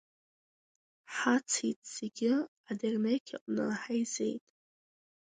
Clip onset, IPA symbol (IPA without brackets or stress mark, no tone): ħ